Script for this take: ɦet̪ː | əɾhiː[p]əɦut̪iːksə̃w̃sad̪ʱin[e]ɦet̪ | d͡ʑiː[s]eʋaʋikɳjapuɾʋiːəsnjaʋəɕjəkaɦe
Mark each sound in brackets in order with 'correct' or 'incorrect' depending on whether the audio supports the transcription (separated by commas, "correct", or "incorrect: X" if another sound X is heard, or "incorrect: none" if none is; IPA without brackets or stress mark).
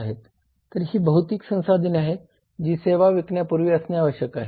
incorrect: b, incorrect: a, correct